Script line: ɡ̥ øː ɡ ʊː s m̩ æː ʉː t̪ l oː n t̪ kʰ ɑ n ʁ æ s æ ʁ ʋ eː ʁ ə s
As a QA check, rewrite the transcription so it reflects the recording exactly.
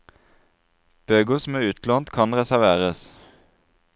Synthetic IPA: b̥ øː ɡ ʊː s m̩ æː ʉː t̪ l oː n t̪ kʰ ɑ n ʁ ɛ s æ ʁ ʋ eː ʁ ə s